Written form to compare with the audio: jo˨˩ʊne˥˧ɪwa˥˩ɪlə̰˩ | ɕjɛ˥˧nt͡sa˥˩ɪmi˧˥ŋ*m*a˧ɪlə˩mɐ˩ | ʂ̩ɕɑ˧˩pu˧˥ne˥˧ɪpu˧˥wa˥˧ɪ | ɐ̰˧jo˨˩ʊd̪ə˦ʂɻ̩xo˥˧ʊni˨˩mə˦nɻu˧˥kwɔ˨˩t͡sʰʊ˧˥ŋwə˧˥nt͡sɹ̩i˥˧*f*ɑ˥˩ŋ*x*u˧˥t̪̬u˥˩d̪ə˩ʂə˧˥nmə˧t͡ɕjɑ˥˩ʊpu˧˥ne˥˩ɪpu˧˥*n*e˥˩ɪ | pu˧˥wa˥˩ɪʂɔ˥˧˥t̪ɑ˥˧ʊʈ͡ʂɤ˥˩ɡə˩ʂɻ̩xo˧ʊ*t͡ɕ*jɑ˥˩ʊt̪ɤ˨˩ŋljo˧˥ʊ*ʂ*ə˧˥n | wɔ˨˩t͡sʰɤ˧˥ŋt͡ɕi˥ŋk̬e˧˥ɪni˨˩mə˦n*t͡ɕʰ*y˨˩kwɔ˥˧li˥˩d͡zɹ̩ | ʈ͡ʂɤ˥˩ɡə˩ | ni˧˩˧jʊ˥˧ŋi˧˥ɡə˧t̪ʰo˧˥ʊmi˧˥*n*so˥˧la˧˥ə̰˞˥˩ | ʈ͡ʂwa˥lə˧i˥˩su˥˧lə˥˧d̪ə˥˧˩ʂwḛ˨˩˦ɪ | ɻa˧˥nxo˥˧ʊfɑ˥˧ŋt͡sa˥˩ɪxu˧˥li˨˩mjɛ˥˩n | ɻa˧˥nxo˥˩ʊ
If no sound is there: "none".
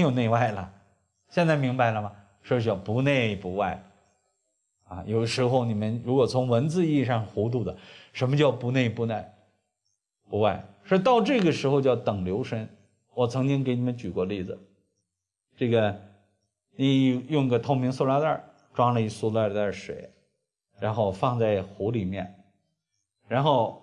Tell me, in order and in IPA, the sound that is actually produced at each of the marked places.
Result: b, ʂ, x, n, t͡ɕ, ʂ, t͡ɕ, ŋ

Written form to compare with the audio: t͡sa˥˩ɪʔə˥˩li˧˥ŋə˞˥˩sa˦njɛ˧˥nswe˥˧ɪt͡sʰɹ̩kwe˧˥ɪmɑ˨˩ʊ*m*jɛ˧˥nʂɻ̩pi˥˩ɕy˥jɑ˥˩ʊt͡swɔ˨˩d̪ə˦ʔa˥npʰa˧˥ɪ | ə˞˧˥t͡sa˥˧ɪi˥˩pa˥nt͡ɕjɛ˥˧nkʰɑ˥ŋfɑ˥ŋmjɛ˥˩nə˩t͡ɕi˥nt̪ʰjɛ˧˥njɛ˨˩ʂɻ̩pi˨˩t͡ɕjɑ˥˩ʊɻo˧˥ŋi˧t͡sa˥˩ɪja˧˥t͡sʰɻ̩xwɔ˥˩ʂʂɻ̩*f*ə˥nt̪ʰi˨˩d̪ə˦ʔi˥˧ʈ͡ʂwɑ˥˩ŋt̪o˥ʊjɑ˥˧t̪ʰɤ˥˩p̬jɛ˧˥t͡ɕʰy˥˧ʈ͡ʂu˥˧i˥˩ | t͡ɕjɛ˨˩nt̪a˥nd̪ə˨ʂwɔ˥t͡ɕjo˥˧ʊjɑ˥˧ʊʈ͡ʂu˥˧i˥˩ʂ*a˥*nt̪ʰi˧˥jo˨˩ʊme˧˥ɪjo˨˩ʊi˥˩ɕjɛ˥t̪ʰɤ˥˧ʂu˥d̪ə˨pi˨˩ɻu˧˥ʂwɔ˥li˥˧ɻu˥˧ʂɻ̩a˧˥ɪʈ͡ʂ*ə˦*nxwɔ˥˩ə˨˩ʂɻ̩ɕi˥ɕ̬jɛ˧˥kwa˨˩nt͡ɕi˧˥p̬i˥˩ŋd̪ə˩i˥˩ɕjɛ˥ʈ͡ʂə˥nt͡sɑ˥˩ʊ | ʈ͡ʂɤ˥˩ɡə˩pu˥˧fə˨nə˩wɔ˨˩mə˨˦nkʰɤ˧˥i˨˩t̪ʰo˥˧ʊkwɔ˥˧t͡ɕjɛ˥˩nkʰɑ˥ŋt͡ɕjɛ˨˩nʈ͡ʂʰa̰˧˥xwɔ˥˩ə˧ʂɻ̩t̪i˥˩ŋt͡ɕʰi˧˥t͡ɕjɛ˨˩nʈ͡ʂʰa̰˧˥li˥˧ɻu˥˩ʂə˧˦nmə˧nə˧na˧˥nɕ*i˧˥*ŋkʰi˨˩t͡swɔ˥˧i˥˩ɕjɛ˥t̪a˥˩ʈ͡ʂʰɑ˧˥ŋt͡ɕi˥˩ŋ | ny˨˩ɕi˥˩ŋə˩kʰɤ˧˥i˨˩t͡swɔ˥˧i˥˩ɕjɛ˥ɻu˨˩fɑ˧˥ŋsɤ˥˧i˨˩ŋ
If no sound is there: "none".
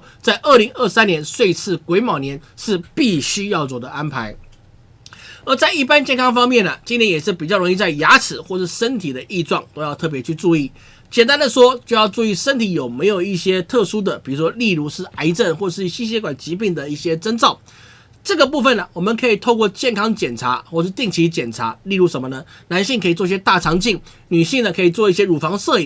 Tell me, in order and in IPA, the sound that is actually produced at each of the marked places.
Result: n, ʂ, ə˥, ə˥˩, i˥˩

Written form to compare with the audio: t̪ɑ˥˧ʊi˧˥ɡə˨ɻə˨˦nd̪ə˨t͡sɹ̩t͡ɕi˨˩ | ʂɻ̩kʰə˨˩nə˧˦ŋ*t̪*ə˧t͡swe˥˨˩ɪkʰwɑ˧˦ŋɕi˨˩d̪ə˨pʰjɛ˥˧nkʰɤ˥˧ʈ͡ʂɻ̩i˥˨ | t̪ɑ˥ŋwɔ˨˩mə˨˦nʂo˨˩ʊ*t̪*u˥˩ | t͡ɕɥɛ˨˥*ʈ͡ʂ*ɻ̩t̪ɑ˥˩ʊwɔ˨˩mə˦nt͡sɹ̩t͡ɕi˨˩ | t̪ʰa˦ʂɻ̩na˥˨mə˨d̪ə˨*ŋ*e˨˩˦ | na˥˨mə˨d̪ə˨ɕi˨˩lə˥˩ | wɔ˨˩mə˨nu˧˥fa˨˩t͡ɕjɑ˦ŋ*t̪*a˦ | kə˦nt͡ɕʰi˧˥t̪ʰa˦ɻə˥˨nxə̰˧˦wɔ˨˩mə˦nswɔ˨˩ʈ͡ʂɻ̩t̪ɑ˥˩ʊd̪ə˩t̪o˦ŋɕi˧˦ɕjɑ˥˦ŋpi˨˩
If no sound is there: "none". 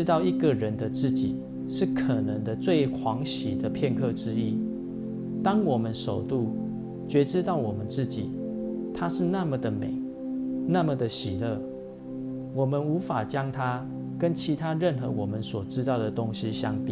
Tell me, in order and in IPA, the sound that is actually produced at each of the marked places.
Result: d̪, t̪, ʈ͡ʂ, m, t̪ʰ

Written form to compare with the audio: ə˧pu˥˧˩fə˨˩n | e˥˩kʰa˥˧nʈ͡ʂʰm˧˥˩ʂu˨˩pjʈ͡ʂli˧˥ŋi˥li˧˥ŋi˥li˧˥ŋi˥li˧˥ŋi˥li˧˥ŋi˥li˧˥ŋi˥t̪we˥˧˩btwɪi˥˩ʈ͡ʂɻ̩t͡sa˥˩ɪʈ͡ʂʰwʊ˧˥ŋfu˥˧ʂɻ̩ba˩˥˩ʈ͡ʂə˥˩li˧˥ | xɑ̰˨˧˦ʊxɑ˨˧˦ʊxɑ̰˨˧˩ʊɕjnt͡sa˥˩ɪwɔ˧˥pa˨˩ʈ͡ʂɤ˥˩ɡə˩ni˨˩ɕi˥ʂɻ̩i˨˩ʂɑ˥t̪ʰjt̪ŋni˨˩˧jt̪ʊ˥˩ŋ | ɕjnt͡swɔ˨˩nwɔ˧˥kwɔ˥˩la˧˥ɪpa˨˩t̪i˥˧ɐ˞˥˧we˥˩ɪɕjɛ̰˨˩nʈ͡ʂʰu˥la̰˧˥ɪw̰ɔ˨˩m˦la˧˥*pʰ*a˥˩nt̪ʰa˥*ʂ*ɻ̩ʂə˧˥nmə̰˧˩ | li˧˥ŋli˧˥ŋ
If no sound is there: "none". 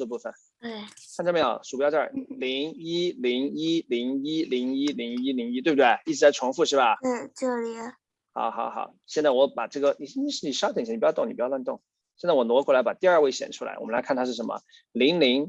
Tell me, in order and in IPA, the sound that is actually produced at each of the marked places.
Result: kʰ, ʂ

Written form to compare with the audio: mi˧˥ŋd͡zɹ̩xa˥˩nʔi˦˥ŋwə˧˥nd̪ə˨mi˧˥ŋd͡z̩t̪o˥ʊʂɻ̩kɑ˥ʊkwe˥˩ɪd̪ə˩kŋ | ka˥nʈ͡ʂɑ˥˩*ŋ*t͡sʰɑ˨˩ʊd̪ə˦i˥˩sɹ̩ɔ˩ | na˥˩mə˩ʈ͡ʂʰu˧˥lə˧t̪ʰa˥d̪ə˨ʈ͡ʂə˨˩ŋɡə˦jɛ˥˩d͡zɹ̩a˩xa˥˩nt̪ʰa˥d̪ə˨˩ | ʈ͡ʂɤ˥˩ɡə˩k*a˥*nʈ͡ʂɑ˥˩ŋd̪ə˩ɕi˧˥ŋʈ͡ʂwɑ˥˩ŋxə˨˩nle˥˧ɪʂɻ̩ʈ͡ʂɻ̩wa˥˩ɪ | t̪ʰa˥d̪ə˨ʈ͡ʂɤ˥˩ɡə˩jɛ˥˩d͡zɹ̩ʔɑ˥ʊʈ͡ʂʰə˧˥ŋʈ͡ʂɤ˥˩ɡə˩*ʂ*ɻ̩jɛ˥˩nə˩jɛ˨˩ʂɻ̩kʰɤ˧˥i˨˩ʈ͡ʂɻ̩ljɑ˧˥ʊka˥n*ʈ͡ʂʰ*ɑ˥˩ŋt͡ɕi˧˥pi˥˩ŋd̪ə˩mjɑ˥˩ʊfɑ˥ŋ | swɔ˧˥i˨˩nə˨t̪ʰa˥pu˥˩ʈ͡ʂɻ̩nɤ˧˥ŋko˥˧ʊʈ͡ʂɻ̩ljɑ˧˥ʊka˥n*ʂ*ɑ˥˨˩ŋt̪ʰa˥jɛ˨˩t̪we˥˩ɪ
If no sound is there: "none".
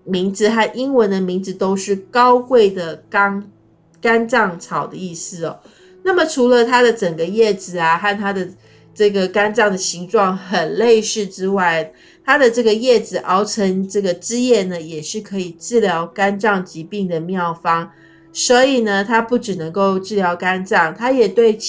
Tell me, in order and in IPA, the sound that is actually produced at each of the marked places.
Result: ŋ, a˥, ʈ͡ʂ, ʈ͡ʂ, ʈ͡ʂ

